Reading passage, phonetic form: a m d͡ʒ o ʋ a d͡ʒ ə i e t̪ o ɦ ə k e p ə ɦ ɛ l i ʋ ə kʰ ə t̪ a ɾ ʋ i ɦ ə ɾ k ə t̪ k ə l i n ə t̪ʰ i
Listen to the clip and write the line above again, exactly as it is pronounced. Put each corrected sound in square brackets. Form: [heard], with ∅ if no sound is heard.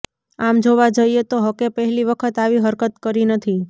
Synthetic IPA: a m d͡ʒ o ʋ a d͡ʒ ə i e t̪ o ɦ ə k e p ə ɦ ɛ l i ʋ ə kʰ ə t̪ a [∅] ʋ i ɦ ə ɾ k ə t̪ k ə [ɾ] i n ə t̪ʰ i